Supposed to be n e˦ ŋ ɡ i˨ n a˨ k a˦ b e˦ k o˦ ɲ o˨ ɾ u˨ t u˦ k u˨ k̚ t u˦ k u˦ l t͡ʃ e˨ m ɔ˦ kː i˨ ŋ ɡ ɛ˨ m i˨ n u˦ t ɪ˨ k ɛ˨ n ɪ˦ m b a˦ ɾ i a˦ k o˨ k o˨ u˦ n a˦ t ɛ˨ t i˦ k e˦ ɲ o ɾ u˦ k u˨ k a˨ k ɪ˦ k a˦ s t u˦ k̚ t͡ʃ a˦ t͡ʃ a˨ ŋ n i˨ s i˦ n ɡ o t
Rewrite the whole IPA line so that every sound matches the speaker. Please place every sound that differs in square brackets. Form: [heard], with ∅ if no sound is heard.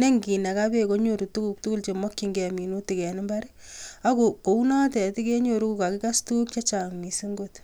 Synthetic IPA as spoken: n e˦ ŋ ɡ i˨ n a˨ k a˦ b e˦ k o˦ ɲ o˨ ɾ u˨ t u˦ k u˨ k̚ t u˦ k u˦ l t͡ʃ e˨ m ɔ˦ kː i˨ ŋ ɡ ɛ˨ m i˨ n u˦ t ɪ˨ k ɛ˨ n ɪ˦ m b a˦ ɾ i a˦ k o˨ k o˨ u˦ n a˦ t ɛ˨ t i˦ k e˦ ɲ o ɾ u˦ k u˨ k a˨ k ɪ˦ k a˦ s t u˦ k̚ t͡ʃ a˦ t͡ʃ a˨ ŋ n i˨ s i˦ [ŋ] ɡ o t